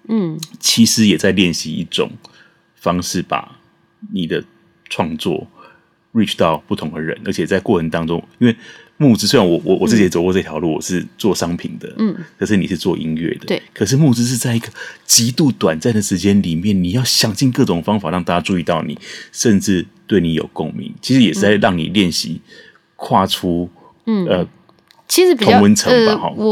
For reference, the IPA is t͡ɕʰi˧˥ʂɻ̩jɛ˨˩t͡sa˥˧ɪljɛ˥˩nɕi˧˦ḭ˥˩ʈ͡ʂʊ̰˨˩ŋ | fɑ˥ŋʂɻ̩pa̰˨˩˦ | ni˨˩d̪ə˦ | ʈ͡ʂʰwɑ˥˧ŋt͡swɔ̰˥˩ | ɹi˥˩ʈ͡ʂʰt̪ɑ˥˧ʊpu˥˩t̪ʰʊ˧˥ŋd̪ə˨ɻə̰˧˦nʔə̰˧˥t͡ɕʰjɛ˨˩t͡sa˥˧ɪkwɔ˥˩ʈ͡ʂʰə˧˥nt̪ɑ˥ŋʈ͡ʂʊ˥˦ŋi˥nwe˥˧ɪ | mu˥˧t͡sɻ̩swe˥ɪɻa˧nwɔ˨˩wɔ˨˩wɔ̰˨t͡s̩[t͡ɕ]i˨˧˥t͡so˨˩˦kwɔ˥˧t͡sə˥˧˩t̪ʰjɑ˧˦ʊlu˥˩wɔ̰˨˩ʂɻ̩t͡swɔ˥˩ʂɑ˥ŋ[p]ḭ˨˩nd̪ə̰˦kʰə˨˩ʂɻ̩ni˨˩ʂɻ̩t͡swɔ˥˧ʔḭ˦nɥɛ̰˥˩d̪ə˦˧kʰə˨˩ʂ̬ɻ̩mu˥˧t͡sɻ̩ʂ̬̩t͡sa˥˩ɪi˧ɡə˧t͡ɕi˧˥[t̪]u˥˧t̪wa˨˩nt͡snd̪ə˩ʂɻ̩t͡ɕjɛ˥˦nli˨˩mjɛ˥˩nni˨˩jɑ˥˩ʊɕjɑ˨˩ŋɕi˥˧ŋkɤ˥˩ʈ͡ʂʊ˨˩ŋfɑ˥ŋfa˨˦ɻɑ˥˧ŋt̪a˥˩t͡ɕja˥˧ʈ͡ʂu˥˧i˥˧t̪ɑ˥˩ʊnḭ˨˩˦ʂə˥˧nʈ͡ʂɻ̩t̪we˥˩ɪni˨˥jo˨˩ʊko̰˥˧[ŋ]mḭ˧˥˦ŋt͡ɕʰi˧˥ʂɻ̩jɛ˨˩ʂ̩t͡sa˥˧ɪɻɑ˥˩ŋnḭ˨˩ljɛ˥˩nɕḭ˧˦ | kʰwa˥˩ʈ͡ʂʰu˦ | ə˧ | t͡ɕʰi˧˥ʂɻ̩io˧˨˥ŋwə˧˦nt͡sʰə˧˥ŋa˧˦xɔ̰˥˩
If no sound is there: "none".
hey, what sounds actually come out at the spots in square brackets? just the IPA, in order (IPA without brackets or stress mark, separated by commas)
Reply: t͡ɕ, pʰ, t̪, ŋ